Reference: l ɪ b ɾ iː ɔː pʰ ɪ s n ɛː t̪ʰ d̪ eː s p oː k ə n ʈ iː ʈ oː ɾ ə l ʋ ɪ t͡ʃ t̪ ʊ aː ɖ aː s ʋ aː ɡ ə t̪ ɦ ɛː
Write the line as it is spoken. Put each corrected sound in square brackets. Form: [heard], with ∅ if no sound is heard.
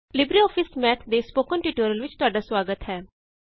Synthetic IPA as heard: l ɪ b ɾ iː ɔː pʰ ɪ s [m] ɛː t̪ʰ d̪ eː s p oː k ə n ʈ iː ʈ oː ɾ ə l ʋ ɪ t͡ʃ t̪ ʊ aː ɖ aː s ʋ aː ɡ ə t̪ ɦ ɛː